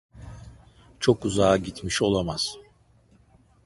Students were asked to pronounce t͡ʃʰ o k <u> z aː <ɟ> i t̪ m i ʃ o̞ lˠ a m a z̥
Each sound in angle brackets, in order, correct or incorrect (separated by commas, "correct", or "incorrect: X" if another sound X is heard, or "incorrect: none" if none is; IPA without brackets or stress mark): correct, correct